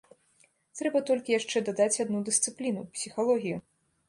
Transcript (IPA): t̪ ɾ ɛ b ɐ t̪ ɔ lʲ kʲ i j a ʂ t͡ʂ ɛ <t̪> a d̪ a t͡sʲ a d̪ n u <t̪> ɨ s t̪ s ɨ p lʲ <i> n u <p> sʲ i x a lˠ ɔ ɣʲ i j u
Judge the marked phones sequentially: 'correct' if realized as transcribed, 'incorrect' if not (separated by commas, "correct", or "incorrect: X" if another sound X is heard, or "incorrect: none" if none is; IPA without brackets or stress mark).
incorrect: d̪, incorrect: d̪, correct, correct